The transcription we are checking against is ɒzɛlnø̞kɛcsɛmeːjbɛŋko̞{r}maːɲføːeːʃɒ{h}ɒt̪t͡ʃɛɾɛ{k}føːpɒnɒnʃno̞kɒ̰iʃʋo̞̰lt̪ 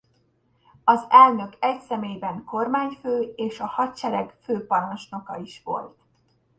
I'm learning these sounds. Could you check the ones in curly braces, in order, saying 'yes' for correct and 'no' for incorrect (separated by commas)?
yes, yes, no